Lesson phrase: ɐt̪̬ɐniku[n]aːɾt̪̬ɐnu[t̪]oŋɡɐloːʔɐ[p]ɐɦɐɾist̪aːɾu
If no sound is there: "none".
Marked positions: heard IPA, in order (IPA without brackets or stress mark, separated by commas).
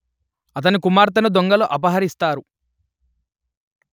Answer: m, d̪, p